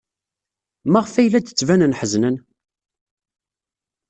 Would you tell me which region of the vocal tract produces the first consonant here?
lips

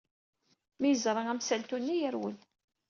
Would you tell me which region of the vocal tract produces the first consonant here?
lips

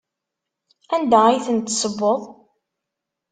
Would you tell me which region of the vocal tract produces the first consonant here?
tongue tip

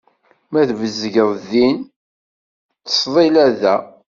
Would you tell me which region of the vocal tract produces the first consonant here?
lips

